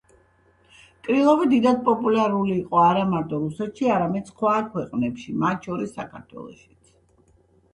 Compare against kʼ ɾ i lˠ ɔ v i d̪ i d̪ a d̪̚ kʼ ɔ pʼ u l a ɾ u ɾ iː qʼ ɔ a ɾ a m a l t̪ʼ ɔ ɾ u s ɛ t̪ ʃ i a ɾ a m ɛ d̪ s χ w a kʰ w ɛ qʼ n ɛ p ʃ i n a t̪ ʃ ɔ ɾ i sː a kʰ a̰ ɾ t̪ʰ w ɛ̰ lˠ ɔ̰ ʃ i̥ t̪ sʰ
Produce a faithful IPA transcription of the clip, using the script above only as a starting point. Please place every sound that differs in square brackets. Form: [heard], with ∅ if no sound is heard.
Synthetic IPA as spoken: kʼ ɾ i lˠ ɔ v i d̪ i d̪ a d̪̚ [pʼ] ɔ pʼ u l a ɾ u [l] iː qʼ ɔ a ɾ a m a [ɾ] t̪ʼ ɔ ɾ u s ɛ t̪ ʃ i a ɾ a m ɛ d̪ s χ w a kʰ w ɛ qʼ n ɛ p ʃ i [m] a t̪ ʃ ɔ ɾ i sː a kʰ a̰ ɾ t̪ʰ w ɛ̰ lˠ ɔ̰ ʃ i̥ t̪ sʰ

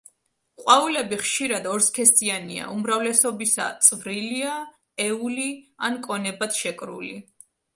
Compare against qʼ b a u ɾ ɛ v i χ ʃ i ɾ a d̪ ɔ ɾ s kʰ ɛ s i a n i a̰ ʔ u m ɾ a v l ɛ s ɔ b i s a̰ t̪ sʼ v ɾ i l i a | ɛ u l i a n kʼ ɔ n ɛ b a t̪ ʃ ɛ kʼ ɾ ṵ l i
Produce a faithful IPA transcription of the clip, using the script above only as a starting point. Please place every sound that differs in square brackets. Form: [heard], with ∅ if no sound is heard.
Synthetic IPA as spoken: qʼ [w] a u [l] ɛ [b] i χ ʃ i ɾ a d̪ ɔ ɾ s kʰ ɛ s i a n i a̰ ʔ u m ɾ a v l ɛ s ɔ b i s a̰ t̪ sʼ v ɾ i l i a | ɛ u l i a n kʼ ɔ n ɛ b a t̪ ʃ ɛ kʼ ɾ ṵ l i

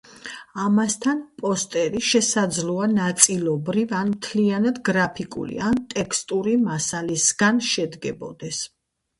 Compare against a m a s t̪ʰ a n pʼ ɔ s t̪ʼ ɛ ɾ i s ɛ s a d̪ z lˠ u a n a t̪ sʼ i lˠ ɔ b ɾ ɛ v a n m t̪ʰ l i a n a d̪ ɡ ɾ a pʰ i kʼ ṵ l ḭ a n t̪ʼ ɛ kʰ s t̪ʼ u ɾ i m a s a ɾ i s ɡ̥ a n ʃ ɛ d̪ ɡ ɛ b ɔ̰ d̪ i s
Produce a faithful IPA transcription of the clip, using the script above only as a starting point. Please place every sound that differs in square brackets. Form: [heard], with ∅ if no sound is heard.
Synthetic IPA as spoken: a m a s t̪ʰ a n pʼ ɔ s t̪ʼ ɛ ɾ i [ʃ] ɛ s a d̪ z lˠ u a n a t̪ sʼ i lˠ ɔ b ɾ [i] v a n m t̪ʰ l i a n a d̪ ɡ ɾ a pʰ i kʼ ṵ l ḭ a n t̪ʼ ɛ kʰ s t̪ʼ u ɾ i m a s a [l] i s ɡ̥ a n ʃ ɛ d̪ ɡ ɛ b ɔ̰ d̪ [ɛ] s

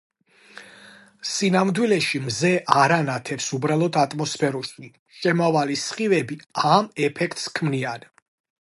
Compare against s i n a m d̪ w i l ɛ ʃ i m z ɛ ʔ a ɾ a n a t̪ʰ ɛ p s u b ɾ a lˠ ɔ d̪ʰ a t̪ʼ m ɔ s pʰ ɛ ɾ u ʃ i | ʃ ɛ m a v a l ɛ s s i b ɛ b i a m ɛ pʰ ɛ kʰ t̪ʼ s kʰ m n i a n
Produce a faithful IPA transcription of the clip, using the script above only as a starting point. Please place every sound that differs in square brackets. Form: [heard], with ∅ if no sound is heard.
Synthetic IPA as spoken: s i n a m d̪ w i l ɛ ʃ i m z ɛ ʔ a ɾ a n a t̪ʰ ɛ p s u b ɾ a lˠ ɔ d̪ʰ a t̪ʼ m ɔ s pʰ ɛ ɾ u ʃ i | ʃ ɛ m a v a l [i] s [χ] i [v] ɛ b i a m ɛ pʰ ɛ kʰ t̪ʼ s kʰ m n i a n

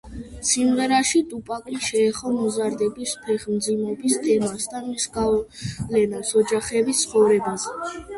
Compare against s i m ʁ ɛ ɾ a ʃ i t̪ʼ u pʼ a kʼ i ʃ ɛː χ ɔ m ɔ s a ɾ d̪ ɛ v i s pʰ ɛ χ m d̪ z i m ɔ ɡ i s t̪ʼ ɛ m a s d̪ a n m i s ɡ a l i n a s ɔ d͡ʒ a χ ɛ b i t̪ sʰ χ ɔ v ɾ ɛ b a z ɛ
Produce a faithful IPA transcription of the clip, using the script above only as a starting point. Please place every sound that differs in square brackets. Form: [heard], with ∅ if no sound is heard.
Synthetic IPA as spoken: s i m ʁ ɛ ɾ a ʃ i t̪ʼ u pʼ a kʼ i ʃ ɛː χ ɔ m ɔ [z] a ɾ d̪ ɛ [b] i s pʰ ɛ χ m d̪ z i m ɔ [b] i s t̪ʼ ɛ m a s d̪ a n m i s ɡ a l [ɛ] n a s ɔ d͡ʒ a χ ɛ b i t̪ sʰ χ ɔ v ɾ ɛ b a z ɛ

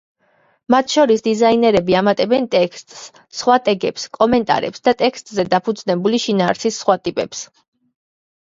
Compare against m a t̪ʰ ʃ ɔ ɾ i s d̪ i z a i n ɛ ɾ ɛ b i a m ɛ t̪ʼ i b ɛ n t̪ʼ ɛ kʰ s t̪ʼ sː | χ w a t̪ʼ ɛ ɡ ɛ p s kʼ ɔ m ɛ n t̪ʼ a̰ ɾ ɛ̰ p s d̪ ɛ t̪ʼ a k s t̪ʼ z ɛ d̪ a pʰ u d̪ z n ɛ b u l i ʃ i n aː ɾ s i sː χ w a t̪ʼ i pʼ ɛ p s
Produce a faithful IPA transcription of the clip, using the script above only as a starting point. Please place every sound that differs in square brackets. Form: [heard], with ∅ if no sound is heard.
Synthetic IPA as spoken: m a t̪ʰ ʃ ɔ ɾ i s d̪ i z a i n ɛ ɾ ɛ b i a m [a] t̪ʼ [ɛ] b ɛ n t̪ʼ ɛ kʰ s t̪ʼ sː | χ w a t̪ʼ ɛ ɡ ɛ p s kʼ ɔ m ɛ n t̪ʼ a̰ ɾ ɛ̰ p s d̪ [a] t̪ʼ [ɛ] k s t̪ʼ z ɛ d̪ a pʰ u d̪ z n ɛ b u l i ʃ i n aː ɾ s i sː χ w a t̪ʼ i pʼ ɛ p s

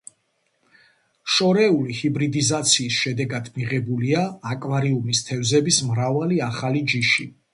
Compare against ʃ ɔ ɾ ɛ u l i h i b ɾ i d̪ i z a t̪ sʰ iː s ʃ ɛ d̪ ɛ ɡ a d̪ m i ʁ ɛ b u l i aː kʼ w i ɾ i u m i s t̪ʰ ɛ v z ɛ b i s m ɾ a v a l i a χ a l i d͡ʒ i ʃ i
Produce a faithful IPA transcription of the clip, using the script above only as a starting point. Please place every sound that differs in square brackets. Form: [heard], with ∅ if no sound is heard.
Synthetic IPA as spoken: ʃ ɔ ɾ ɛ u l i h i b ɾ i d̪ i z a t̪ sʰ iː s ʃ ɛ d̪ ɛ ɡ a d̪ m i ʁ ɛ b u l i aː kʼ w [a] ɾ i u m i s t̪ʰ ɛ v z ɛ b i s m ɾ a v a l i a χ a l i d͡ʒ i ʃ i

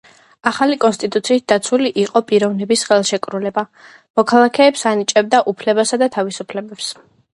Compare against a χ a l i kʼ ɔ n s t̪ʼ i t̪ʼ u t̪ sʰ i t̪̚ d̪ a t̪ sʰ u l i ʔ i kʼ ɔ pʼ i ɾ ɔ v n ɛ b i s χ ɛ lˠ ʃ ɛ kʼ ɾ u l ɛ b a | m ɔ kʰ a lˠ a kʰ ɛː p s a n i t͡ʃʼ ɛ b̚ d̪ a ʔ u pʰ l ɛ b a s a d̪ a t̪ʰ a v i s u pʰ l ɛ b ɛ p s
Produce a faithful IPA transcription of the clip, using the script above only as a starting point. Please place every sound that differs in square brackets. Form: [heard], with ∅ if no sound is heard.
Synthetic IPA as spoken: a χ a l i kʼ ɔ n s t̪ʼ i t̪ʼ u t̪ sʰ [iː] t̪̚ d̪ a t̪ sʰ u l i ʔ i [qʼ] ɔ pʼ i ɾ ɔ v n ɛ b i s χ ɛ lˠ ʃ ɛ kʼ ɾ u l ɛ b a | m ɔ kʰ a lˠ a kʰ ɛː p s a n i t͡ʃʼ ɛ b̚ d̪ a ʔ u pʰ l ɛ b a s a d̪ a t̪ʰ a v i s u pʰ l ɛ b ɛ p s

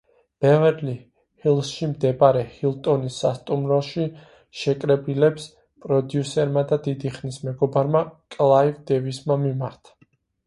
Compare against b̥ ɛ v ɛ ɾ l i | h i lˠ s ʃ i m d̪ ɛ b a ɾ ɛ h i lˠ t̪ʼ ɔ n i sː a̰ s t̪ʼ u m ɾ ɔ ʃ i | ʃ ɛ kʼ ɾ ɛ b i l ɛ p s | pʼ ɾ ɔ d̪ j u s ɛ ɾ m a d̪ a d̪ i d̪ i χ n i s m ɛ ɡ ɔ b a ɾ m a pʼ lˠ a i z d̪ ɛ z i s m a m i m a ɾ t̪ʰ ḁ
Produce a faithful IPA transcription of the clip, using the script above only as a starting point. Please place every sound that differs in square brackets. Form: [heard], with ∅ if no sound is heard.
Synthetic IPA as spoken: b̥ ɛ v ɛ ɾ l i | h i lˠ s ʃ i m d̪ ɛ b a ɾ ɛ h i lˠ t̪ʼ ɔ n i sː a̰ s t̪ʼ u m ɾ ɔ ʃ i | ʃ ɛ kʼ ɾ ɛ b i l ɛ p s | pʼ ɾ ɔ d̪ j u s ɛ ɾ m a d̪ a d̪ i d̪ i χ n i s m ɛ ɡ ɔ b a ɾ m a [kʼ] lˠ a i [v] d̪ ɛ [v] i s m a m i m a ɾ t̪ʰ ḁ

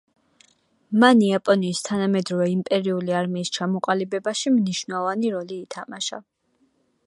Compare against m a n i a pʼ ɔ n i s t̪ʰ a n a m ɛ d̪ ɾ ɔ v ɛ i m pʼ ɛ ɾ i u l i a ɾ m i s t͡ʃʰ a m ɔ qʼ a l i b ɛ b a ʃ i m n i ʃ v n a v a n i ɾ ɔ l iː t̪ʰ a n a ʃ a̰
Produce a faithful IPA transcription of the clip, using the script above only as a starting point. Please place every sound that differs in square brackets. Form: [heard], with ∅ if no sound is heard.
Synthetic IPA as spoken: m a n i a pʼ ɔ n [iː] s t̪ʰ a n a m ɛ d̪ ɾ ɔ v ɛ i m pʼ ɛ ɾ i u l i a ɾ m [iː] s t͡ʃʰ a m ɔ qʼ a l i b ɛ b a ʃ i m n i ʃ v n a v a n i ɾ ɔ l iː t̪ʰ a [m] a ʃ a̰

